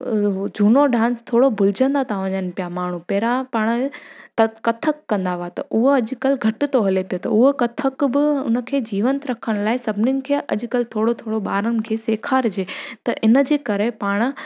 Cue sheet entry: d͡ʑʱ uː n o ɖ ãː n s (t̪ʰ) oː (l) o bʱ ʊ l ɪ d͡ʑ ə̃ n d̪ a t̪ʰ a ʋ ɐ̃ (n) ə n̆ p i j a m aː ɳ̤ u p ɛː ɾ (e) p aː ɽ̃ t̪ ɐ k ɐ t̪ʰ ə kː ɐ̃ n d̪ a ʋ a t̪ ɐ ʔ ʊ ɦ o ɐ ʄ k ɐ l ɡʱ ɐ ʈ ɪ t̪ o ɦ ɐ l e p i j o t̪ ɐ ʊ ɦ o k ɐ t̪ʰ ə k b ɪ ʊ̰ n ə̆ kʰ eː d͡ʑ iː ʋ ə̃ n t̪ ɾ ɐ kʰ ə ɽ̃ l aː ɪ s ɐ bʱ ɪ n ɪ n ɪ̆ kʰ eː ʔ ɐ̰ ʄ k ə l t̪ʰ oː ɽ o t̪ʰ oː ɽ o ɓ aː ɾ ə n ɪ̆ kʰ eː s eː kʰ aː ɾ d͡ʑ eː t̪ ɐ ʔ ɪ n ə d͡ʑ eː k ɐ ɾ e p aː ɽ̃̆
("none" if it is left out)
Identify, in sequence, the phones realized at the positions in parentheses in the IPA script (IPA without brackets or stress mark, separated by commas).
t̪ʰ, ɽ, ɲ, a